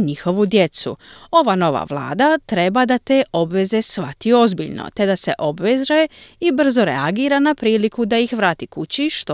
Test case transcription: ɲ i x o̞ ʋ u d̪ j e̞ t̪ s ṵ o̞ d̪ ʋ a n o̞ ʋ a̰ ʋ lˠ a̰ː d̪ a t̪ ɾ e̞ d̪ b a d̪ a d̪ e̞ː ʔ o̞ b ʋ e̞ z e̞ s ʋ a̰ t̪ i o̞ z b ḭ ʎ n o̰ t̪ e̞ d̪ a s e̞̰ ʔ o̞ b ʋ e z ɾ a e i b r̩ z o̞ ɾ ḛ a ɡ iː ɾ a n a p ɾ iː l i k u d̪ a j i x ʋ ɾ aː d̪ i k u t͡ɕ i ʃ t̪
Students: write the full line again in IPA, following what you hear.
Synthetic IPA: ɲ i x o̞ ʋ u d̪ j e̞ t̪ s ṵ o̞ ʋ a n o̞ ʋ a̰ ʋ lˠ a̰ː d̪ a t̪ ɾ e̞ b a d̪ a t̪ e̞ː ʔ o̞ b ʋ e̞ z e̞ s ʋ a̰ t̪ i o̞ z b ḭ ʎ n o̰ t̪ e̞ d̪ a s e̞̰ ʔ o̞ b ʋ e z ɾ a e i b r̩ z o̞ ɾ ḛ a ɡ iː ɾ a n a p ɾ iː l i k u d̪ a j i x ʋ ɾ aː t̪ i k u t͡ɕ i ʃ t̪